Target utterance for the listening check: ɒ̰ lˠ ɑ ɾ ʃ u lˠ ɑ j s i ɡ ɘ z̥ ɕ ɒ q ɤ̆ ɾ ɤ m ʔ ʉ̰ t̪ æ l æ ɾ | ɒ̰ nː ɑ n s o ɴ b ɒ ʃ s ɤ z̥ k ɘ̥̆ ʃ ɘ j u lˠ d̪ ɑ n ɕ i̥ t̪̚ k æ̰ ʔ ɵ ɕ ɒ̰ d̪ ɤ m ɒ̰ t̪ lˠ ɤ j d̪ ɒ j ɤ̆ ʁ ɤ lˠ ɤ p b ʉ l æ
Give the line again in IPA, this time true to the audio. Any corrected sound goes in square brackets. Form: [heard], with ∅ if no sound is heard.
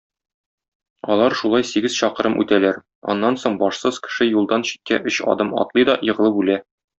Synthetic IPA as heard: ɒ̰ lˠ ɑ ɾ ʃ u lˠ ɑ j s i ɡ ɘ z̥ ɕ ɒ q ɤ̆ ɾ ɤ m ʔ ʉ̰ t̪ æ l æ ɾ | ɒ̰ nː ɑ n s o ɴ b ɒ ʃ s ɤ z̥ k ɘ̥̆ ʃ ɘ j u lˠ d̪ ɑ n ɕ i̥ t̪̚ k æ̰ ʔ ɵ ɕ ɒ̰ d̪ ɤ m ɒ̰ t̪ lˠ ɤ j d̪ ɒ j ɤ̆ ʁ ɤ lˠ ɤ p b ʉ l æ